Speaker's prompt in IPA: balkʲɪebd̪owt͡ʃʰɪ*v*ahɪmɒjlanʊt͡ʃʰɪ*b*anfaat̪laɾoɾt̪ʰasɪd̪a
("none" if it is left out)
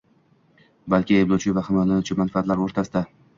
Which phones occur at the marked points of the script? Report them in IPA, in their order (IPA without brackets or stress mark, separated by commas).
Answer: v, m